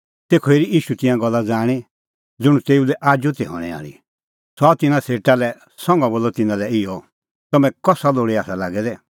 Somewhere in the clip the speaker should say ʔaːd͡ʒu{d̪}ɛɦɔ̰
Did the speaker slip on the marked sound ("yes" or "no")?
yes